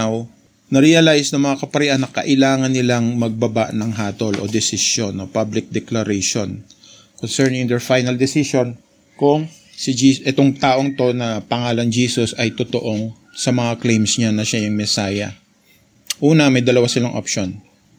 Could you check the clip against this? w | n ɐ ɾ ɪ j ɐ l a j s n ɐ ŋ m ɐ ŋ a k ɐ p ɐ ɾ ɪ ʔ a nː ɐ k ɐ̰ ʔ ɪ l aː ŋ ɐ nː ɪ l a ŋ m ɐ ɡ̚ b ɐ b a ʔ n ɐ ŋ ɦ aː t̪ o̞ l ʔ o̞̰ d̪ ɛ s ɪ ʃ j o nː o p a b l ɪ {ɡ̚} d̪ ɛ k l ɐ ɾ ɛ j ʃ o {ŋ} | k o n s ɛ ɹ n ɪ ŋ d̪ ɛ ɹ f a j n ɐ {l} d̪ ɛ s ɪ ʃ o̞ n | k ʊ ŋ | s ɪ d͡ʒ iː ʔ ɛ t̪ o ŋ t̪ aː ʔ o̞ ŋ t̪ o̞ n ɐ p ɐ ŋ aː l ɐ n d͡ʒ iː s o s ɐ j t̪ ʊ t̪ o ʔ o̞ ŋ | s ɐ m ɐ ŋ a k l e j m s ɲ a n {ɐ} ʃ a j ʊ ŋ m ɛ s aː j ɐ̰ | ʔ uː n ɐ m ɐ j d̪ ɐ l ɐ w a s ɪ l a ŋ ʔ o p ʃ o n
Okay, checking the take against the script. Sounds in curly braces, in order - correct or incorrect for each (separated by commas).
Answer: incorrect, incorrect, correct, correct